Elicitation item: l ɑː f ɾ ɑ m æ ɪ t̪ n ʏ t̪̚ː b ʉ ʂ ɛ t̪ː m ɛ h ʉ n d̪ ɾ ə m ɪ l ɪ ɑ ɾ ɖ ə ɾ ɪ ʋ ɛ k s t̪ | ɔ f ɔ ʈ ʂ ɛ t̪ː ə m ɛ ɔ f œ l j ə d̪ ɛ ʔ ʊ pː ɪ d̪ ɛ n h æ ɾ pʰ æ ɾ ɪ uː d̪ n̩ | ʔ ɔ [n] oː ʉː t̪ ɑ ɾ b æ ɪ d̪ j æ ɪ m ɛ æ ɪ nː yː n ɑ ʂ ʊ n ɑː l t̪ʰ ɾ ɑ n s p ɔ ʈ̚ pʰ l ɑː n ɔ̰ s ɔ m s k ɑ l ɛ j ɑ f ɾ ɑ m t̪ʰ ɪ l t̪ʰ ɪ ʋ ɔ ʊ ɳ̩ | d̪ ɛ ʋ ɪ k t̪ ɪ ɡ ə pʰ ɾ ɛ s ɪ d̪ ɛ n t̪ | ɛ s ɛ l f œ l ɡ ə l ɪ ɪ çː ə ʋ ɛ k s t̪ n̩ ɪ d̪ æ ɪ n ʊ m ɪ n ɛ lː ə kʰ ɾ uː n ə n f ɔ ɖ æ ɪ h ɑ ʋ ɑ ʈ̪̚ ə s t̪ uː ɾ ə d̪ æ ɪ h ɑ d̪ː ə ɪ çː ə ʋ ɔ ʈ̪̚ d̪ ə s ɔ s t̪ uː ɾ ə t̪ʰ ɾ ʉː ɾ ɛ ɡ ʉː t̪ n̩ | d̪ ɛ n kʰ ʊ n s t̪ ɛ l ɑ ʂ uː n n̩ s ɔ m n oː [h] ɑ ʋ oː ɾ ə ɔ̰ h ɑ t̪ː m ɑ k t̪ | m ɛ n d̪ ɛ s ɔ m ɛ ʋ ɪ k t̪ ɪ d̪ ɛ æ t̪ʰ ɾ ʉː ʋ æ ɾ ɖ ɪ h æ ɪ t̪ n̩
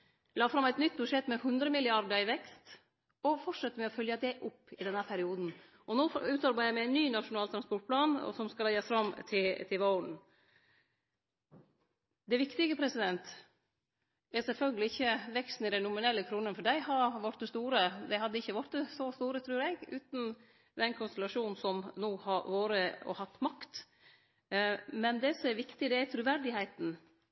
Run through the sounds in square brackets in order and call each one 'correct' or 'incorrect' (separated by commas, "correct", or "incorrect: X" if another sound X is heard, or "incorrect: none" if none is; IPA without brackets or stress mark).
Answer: correct, correct